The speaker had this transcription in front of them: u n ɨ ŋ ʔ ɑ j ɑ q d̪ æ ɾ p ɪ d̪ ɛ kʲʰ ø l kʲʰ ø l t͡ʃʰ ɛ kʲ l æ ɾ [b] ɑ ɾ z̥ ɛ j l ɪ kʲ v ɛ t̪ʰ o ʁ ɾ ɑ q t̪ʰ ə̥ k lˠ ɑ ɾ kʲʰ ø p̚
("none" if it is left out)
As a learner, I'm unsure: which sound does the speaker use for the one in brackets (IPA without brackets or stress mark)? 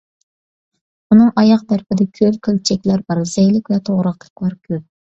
b